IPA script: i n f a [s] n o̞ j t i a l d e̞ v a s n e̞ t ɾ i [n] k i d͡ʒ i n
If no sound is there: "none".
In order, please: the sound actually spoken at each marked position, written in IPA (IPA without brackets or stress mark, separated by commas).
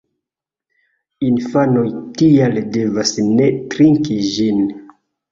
none, ŋ